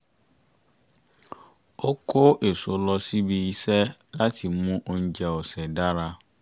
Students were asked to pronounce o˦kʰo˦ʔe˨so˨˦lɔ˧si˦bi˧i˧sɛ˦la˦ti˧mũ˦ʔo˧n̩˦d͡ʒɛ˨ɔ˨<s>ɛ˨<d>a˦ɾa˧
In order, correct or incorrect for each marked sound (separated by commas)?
correct, correct